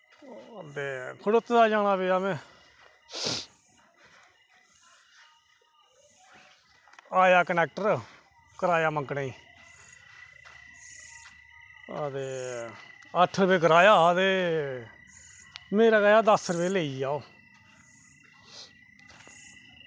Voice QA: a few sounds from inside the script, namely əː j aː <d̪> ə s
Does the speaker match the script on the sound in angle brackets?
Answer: yes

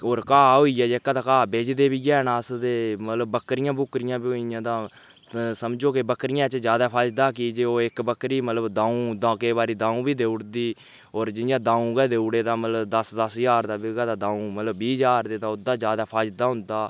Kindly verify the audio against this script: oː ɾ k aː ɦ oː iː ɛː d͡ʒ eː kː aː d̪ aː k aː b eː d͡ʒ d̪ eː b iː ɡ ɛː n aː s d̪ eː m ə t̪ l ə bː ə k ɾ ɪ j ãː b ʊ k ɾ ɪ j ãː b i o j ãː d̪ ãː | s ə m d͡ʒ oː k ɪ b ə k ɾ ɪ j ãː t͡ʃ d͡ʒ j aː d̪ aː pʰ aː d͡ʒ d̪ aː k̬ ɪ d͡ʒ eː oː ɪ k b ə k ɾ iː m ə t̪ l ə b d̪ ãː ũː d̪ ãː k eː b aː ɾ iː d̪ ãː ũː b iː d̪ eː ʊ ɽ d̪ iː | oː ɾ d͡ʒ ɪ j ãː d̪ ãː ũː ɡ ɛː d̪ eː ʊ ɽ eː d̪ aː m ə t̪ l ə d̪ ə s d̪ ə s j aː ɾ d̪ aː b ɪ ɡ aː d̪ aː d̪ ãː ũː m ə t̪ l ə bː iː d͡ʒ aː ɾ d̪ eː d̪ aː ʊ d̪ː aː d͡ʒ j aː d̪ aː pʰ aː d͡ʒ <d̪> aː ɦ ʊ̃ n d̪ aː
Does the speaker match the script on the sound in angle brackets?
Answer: yes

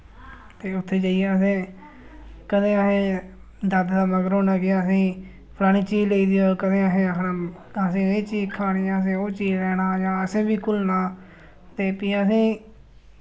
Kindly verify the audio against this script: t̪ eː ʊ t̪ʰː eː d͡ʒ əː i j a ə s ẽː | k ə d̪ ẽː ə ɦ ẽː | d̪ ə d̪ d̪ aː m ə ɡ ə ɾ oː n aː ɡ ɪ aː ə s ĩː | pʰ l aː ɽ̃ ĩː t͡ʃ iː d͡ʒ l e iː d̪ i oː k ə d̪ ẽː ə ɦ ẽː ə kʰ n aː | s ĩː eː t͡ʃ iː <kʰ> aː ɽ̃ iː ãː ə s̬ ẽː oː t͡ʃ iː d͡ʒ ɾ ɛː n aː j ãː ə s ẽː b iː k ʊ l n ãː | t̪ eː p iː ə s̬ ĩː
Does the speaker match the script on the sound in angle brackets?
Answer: yes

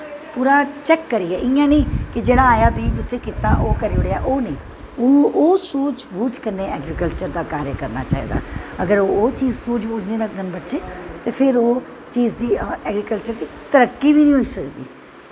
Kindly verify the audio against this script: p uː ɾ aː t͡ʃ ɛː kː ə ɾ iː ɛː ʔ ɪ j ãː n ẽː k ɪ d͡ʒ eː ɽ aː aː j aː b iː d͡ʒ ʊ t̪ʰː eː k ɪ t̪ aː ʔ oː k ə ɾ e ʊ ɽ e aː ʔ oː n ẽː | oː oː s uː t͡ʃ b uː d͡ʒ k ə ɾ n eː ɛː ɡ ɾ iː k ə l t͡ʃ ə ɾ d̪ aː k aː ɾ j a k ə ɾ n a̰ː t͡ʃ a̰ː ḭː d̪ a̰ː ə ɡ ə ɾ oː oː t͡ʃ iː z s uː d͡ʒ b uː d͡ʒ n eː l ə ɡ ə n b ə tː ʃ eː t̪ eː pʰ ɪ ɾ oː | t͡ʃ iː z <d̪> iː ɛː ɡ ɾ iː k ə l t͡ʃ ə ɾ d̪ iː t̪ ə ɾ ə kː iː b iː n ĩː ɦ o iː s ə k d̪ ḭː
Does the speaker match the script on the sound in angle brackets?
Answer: yes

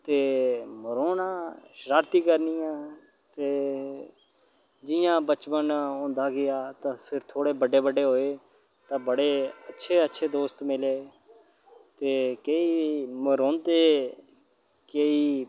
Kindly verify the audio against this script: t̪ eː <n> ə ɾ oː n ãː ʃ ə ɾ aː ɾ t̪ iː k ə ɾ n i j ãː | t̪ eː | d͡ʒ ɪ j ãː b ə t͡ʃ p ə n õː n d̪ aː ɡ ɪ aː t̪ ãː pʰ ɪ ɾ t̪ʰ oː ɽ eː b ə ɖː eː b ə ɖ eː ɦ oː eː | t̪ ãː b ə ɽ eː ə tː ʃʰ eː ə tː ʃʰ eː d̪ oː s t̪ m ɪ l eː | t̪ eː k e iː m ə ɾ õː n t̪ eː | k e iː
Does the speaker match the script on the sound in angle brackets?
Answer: no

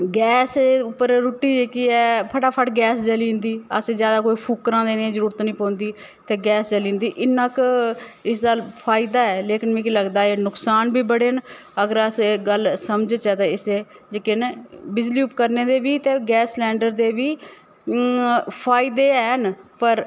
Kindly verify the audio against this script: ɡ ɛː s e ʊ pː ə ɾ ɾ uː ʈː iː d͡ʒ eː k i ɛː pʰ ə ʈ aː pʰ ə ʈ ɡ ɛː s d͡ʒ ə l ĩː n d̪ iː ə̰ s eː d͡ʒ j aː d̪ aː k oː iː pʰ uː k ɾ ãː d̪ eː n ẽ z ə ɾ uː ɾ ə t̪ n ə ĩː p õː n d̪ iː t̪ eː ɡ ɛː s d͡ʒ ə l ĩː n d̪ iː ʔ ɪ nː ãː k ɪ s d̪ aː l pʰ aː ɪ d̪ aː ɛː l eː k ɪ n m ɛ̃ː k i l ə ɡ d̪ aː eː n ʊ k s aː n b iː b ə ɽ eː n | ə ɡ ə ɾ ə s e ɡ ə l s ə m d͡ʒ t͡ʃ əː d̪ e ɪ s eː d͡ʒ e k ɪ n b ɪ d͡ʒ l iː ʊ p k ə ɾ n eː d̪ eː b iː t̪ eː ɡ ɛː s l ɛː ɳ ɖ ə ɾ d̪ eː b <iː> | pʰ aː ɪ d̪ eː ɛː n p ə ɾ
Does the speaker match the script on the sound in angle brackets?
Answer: yes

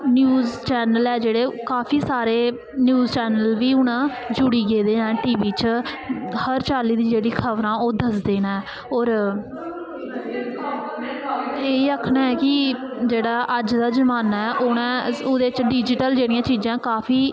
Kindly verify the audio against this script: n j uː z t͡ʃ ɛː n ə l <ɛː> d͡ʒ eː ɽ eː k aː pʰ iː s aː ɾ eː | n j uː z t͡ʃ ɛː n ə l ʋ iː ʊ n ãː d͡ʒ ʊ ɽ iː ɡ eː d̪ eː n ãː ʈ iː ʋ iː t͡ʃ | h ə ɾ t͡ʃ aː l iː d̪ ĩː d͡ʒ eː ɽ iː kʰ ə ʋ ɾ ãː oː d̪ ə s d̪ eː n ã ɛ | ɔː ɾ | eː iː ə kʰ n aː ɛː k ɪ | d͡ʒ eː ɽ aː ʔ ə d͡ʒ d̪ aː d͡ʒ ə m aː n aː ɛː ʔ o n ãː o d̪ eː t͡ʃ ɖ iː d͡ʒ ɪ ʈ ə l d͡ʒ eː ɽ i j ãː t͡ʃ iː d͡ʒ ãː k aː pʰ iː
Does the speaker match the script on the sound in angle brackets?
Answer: yes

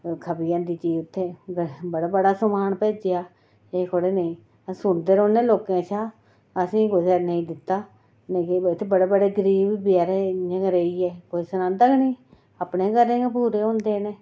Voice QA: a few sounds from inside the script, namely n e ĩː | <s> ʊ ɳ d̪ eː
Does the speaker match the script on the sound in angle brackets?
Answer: yes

